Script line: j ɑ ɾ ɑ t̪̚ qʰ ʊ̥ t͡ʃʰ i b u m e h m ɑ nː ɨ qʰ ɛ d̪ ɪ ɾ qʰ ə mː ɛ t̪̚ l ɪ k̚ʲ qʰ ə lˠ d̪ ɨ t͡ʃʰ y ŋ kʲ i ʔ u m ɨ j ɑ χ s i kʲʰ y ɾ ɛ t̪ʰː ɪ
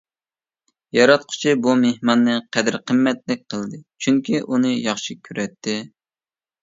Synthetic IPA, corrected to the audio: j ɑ ɾ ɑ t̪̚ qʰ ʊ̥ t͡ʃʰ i b u m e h m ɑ nː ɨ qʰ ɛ d̪ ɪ ɾ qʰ ə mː ɛ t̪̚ l ɪ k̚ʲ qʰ ə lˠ d̪ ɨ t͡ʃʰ y ŋ kʲ i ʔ u n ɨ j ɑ χ ʃ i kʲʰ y ɾ ɛ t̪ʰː ɪ